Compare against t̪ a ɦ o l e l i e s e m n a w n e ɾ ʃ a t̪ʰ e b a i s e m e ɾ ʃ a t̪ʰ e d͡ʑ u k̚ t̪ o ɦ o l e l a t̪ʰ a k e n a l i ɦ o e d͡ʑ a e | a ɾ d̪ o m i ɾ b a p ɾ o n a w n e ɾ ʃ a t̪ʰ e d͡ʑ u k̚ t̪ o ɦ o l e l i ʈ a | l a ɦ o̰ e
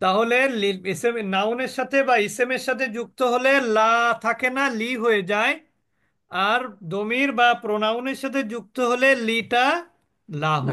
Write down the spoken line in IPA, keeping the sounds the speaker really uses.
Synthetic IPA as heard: t̪ a ɦ o l e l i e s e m n a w n e ɾ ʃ a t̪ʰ e b a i s e m e ɾ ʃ a t̪ʰ e d͡ʑ u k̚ t̪ o ɦ o l e l a t̪ʰ a k e n a l i ɦ o e d͡ʑ a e | a ɾ d̪ o m i ɾ b a p ɾ o n a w n e ɾ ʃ a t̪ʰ e d͡ʑ u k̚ t̪ o ɦ o l e l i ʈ a | l a ɦ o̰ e